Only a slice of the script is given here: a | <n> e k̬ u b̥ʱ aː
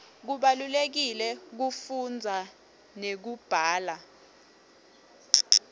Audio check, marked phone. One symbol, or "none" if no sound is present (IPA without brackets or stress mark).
n